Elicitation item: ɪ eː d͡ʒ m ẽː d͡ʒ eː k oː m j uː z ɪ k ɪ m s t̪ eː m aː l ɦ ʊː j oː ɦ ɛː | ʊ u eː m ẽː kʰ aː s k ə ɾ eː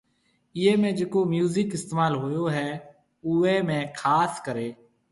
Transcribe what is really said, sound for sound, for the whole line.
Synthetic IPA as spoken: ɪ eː m ẽː d͡ʒ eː k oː m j uː z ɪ k ɪ s t̪ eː m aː l ɦ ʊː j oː ɦ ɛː | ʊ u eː m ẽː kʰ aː s k ə ɾ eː